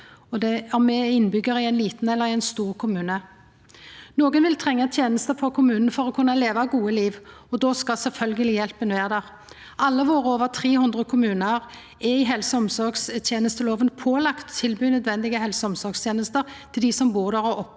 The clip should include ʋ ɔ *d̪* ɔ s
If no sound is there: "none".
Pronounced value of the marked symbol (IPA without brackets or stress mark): d̪